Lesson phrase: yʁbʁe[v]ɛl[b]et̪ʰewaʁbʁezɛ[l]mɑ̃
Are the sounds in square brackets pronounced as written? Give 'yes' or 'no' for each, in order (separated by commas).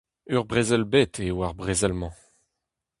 no, yes, yes